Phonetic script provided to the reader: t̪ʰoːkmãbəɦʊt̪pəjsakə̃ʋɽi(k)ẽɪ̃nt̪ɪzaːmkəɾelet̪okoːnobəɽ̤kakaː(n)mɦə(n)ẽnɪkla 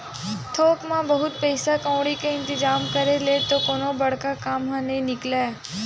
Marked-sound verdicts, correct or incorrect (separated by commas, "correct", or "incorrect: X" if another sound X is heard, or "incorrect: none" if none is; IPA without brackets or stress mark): correct, incorrect: none, correct